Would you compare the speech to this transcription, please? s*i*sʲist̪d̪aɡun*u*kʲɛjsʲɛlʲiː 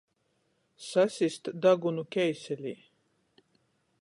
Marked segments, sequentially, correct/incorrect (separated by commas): incorrect, correct